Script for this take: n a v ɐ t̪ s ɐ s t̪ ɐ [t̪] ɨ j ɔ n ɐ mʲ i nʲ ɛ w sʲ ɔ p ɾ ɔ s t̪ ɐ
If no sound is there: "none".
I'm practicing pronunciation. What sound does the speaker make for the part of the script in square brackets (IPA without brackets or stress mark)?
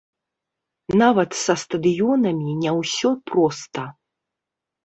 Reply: d̪